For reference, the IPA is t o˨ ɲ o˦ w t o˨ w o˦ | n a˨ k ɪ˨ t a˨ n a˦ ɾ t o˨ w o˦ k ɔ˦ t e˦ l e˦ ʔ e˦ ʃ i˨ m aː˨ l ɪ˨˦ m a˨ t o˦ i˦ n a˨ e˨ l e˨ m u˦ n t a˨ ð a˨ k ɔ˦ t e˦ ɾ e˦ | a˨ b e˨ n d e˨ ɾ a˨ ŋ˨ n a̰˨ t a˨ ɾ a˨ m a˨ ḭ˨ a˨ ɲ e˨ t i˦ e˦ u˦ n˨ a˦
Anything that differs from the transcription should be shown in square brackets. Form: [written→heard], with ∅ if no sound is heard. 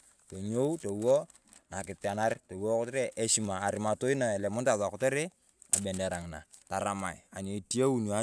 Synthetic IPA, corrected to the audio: t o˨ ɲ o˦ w t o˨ w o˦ | n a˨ k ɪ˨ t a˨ n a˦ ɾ t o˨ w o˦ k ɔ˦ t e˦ [l→ɾ] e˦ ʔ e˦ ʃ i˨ m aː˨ [l→ɾ] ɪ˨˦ m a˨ t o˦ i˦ n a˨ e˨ l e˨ m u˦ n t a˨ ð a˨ k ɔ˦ t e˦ ɾ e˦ | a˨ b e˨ n d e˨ ɾ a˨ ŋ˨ n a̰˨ t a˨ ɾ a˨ m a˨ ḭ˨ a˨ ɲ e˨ t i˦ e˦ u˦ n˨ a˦